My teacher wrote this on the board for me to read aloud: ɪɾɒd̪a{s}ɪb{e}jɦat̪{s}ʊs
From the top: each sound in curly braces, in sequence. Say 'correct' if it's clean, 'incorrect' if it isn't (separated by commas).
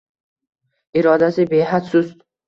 correct, correct, correct